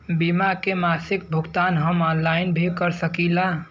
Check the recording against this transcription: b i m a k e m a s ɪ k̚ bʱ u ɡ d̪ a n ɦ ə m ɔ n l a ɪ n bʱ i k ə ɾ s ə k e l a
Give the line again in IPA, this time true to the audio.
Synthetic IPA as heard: b i m a k e m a s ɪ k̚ bʱ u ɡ t̪ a n ɦ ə m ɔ n l a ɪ n bʱ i k ə ɾ s ə k i l a